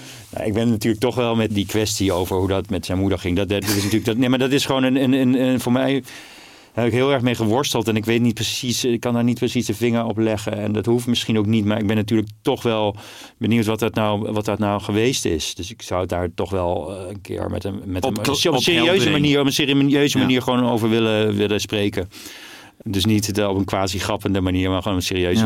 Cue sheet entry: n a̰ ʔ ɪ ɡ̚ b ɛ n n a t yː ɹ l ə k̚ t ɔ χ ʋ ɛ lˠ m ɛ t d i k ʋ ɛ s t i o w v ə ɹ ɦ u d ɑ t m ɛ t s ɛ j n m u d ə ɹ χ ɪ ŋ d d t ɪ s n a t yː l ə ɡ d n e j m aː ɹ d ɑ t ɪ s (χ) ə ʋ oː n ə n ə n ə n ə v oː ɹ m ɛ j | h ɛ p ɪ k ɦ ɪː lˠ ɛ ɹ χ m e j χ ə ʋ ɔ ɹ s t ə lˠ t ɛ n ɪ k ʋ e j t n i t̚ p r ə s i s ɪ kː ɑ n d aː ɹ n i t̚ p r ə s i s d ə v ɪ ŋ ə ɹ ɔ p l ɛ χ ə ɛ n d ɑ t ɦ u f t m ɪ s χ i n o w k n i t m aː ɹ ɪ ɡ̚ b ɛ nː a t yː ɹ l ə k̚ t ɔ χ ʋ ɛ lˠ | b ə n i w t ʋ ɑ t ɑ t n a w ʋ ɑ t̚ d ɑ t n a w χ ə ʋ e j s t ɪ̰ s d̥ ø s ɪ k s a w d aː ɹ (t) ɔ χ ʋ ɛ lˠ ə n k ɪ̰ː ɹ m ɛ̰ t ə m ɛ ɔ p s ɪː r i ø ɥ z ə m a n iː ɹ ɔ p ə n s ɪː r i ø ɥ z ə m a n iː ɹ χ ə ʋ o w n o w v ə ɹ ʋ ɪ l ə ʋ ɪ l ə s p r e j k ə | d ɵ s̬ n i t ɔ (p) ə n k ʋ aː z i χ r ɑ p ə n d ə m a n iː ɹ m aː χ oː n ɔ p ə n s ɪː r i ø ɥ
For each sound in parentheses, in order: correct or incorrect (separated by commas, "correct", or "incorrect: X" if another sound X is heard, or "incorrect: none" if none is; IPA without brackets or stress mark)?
correct, correct, correct